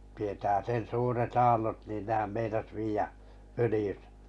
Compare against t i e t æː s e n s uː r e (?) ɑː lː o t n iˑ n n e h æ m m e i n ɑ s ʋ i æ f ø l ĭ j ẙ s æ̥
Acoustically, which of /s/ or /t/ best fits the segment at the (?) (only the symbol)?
t